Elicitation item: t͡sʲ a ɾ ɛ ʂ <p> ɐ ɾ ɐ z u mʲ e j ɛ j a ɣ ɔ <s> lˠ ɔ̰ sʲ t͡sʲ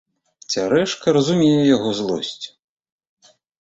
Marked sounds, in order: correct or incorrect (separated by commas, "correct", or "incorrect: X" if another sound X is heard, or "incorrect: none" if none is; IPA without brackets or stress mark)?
incorrect: k, incorrect: z